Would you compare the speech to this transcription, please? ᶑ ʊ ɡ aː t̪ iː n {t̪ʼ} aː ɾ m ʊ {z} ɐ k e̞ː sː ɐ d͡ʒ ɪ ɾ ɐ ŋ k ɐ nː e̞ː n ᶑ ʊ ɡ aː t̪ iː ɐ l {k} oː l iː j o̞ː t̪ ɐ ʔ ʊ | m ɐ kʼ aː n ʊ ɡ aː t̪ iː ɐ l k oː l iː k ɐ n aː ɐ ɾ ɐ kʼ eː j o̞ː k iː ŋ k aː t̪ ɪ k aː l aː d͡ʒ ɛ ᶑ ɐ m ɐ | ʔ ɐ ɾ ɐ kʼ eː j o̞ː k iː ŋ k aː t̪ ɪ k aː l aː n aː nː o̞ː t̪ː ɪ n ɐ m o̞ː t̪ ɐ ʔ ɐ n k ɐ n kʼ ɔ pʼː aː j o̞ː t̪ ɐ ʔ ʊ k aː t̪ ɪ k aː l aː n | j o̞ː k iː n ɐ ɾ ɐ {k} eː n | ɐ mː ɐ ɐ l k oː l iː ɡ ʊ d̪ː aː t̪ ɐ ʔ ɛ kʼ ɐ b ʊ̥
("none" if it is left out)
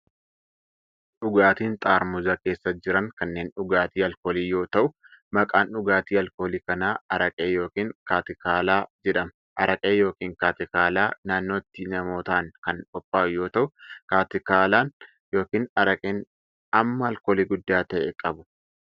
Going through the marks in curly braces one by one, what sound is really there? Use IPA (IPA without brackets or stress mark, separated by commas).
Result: t̪ʼ, z, k, kʼ